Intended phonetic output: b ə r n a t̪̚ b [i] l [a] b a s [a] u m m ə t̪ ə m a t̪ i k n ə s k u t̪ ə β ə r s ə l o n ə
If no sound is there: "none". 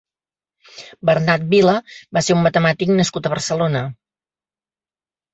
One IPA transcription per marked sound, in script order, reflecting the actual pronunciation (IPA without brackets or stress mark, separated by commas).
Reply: i, ə, e